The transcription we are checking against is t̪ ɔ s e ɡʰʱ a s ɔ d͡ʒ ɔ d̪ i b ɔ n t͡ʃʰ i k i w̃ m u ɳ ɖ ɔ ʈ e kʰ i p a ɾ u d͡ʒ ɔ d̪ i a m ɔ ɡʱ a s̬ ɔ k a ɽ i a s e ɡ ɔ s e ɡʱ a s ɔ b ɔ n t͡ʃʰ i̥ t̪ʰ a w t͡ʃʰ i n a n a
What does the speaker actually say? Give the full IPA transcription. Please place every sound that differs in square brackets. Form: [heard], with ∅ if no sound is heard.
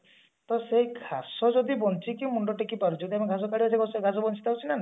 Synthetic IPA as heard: t̪ ɔ s e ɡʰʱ a s ɔ d͡ʒ ɔ d̪ i b ɔ n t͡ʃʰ i k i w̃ m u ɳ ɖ ɔ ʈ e [k] i p a ɾ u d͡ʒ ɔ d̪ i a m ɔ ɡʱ a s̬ ɔ k a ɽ i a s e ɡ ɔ s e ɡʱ a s ɔ b ɔ n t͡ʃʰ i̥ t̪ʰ a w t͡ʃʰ i n a n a